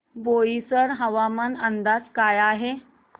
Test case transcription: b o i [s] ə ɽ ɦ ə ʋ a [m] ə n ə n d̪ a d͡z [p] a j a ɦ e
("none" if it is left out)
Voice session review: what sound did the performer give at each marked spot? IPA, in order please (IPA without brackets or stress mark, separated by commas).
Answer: s, m, k